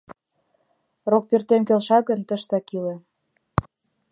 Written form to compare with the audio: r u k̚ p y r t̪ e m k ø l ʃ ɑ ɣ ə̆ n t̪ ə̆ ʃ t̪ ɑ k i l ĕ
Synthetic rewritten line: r o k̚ p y r t̪ e m k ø l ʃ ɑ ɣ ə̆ n t̪ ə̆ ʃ t̪ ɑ k i l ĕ